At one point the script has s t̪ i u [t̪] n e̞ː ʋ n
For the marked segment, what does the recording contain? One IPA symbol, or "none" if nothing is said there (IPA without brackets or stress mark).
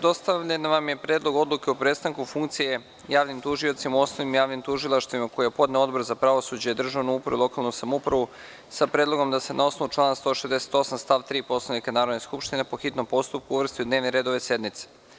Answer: d̪